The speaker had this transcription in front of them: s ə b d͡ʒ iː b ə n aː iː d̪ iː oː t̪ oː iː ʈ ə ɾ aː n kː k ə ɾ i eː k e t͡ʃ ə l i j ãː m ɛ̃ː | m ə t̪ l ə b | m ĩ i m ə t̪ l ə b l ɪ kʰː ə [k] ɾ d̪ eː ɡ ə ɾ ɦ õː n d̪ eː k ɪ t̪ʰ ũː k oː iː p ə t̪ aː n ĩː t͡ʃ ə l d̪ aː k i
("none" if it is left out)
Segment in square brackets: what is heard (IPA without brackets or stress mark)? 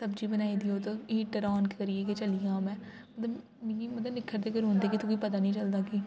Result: none